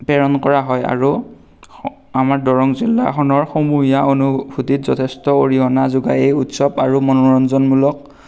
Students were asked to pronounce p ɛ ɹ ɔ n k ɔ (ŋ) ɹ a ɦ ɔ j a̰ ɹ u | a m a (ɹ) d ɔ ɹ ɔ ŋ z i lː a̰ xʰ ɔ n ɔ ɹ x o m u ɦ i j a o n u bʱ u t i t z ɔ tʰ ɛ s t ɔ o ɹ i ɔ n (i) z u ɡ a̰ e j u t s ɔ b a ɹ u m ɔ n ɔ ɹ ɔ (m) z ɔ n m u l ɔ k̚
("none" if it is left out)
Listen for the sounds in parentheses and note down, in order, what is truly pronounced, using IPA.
none, ɹ, a, n

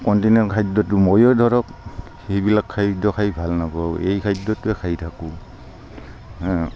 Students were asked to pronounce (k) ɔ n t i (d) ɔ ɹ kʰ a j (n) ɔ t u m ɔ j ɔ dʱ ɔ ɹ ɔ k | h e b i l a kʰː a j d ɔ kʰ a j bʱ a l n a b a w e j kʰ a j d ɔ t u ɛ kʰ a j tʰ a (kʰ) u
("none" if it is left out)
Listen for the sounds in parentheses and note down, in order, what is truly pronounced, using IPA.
k, n, d, k

